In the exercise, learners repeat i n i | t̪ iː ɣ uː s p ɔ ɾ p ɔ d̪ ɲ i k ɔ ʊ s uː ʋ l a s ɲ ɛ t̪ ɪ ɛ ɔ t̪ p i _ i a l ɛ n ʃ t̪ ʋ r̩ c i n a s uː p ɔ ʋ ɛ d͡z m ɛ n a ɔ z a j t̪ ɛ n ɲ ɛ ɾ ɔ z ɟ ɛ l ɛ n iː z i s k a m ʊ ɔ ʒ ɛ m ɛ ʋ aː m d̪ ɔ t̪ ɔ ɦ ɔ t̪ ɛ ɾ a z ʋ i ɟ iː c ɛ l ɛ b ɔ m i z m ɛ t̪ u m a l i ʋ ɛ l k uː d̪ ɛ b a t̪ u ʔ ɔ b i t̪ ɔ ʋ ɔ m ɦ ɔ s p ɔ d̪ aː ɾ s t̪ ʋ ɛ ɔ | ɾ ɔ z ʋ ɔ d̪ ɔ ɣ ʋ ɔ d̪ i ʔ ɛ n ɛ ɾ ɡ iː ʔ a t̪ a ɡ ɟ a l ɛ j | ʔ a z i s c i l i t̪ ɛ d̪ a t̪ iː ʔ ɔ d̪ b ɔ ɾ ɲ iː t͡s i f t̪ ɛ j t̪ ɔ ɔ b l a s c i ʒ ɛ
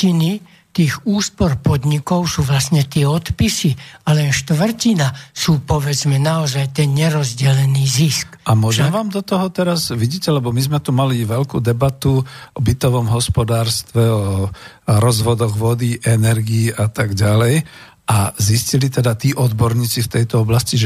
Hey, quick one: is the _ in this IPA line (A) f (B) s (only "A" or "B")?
B